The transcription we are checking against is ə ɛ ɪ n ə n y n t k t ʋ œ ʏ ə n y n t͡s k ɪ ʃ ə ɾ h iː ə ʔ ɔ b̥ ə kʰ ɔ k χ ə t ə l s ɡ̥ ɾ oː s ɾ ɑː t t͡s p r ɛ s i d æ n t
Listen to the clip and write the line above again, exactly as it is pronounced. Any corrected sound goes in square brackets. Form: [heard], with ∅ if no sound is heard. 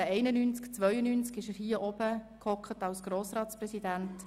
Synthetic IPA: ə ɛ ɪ n ə n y n [t͡s] k [t͡s] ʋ œ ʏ ə n y n t͡s k ɪ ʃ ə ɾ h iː ə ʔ ɔ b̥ ə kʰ ɔ k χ ə t [ɑ] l s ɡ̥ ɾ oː s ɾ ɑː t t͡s p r ɛ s i d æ n t